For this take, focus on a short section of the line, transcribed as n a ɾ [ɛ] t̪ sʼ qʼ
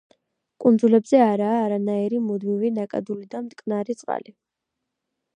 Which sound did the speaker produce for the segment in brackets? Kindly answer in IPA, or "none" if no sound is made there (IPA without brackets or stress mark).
i